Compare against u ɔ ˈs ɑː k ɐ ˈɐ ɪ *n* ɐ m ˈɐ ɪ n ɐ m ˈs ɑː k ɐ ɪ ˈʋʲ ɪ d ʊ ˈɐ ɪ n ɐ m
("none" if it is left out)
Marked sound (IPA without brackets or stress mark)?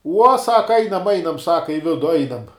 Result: n